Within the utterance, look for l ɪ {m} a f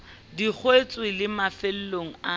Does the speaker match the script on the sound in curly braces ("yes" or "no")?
yes